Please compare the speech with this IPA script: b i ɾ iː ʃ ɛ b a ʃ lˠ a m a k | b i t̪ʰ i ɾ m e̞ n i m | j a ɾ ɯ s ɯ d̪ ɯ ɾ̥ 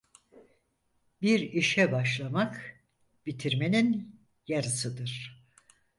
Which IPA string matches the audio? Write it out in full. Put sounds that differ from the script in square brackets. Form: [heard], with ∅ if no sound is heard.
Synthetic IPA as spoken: b i ɾ [i] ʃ ɛ b a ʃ lˠ a m a k | b i t̪ʰ i ɾ m e̞ n i [n] | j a ɾ ɯ s ɯ d̪ ɯ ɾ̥